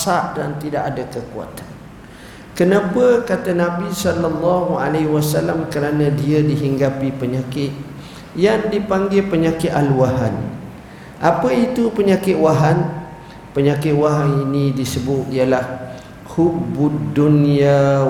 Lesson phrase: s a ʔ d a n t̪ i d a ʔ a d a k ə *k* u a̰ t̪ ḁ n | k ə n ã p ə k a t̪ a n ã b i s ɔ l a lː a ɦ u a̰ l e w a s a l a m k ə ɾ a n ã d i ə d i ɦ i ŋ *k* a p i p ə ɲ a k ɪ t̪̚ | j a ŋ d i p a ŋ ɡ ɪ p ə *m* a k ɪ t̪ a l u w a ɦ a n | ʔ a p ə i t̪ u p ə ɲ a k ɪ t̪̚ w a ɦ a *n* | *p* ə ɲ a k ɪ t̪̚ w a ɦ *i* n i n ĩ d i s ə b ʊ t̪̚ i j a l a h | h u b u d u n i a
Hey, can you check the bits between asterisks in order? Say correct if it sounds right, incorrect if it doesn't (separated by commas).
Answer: correct, incorrect, incorrect, correct, correct, incorrect